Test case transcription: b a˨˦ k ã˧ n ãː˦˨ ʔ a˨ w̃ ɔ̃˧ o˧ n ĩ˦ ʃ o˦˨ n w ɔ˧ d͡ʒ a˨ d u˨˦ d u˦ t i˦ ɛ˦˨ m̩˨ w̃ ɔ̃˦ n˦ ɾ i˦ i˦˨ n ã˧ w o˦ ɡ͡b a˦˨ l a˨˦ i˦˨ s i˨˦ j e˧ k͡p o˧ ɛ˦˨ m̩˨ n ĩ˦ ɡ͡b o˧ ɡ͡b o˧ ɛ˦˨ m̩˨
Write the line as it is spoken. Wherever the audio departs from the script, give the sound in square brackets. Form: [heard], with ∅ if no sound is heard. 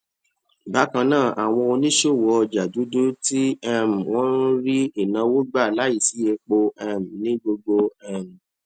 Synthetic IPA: b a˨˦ k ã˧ n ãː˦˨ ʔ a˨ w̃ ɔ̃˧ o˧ n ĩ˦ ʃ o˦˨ [∅] w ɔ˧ d͡ʒ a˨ d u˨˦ d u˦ t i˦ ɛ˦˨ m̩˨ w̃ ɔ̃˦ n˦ ɾ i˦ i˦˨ n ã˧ w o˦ ɡ͡b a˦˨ l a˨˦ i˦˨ s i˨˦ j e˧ k͡p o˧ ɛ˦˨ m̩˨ n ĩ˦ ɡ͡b o˧ ɡ͡b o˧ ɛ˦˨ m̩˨